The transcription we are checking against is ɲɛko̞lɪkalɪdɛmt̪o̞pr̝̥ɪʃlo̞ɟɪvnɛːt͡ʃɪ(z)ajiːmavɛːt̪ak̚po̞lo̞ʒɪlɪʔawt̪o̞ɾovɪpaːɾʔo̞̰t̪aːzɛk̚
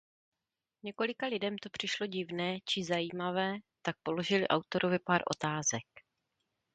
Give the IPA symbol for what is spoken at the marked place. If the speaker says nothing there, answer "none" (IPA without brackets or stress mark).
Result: z